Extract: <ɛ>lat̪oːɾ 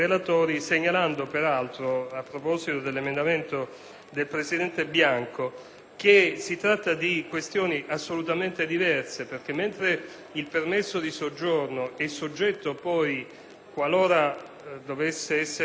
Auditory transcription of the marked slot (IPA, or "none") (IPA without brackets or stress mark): e